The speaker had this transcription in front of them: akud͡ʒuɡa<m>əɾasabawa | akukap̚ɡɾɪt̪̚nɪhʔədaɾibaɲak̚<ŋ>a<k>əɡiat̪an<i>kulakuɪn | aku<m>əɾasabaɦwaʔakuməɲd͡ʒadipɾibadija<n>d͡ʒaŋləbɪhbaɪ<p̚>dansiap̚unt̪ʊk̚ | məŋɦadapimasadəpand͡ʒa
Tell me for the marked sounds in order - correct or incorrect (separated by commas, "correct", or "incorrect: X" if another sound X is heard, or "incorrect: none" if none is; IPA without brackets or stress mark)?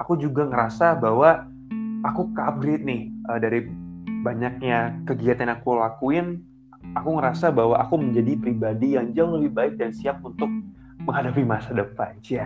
incorrect: ŋ, incorrect: ɲ, correct, incorrect: a, incorrect: ŋ, incorrect: ŋ, incorrect: k̚